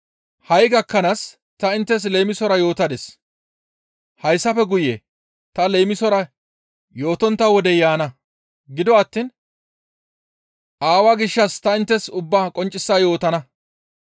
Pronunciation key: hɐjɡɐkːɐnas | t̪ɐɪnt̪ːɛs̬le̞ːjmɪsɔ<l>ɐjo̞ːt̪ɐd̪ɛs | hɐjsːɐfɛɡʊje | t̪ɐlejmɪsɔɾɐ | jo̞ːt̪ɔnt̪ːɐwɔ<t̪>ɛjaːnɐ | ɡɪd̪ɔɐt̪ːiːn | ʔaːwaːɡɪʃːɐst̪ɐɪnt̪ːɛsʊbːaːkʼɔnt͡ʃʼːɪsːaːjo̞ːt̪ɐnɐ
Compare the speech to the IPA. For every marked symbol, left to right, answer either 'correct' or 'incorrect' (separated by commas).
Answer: incorrect, incorrect